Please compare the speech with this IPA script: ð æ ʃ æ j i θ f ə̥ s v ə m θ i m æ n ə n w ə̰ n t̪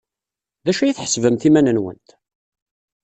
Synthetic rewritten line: ð æ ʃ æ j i θ ħ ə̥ s v ə m θ i m æ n ə n w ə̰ n t̪